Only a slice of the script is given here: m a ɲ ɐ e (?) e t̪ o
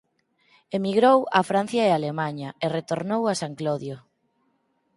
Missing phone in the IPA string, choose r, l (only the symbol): r